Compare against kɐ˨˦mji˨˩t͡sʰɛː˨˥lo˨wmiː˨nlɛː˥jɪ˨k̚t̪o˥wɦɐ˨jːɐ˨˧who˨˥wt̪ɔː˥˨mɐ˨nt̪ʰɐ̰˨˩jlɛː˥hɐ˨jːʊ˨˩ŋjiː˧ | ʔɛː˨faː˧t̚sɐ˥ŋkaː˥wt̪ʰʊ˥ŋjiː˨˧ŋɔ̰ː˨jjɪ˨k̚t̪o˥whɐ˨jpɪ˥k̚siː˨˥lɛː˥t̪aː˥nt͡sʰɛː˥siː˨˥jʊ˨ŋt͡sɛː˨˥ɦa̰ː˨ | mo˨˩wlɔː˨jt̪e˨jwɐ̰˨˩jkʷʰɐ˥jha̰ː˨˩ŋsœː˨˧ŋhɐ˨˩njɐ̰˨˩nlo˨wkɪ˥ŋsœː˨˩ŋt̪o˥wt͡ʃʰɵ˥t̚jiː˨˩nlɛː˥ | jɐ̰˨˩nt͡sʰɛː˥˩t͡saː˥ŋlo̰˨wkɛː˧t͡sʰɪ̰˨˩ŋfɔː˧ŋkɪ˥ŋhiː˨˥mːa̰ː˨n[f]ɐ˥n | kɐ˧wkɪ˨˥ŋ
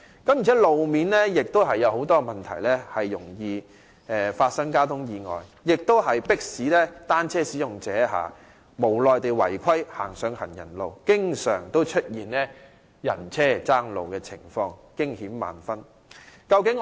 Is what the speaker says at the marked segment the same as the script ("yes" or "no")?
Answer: yes